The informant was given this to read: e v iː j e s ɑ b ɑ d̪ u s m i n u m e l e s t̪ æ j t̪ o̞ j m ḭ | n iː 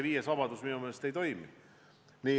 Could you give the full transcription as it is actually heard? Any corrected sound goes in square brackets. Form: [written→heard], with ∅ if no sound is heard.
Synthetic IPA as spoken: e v iː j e s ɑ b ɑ d̪ u s m i n u m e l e s t̪ [æ→e] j t̪ o̞ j m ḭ | n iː